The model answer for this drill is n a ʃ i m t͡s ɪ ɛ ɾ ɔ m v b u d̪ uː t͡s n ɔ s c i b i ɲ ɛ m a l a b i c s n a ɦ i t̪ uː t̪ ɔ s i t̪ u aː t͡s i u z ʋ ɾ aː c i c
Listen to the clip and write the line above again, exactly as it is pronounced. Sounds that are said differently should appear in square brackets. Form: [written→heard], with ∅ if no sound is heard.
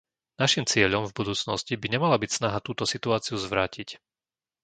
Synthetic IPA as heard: n a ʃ i m t͡s ɪ ɛ [ɾ→ʎ] ɔ m v b u d̪ uː t͡s n ɔ s c i b i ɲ ɛ m a l a b i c s n a ɦ [i→a] t̪ uː t̪ ɔ s i t̪ u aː t͡s i u z ʋ ɾ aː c i c